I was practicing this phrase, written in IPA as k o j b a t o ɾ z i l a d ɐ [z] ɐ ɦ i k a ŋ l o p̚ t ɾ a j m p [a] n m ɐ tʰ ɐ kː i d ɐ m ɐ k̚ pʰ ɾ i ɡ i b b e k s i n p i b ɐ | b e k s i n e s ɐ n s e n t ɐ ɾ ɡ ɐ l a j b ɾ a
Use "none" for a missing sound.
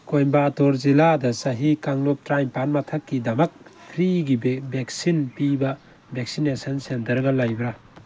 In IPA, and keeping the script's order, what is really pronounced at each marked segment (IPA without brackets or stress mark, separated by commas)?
s, a